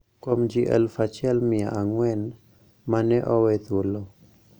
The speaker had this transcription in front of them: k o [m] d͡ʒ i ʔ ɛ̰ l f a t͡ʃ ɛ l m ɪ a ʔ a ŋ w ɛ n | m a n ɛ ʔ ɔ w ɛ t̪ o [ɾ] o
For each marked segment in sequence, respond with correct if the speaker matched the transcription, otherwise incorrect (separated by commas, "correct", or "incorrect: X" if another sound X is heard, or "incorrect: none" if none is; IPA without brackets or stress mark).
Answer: correct, incorrect: l